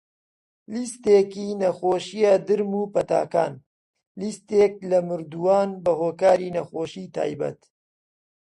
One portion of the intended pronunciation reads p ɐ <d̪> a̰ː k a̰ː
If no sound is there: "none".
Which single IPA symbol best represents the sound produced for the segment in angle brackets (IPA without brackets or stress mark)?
t̪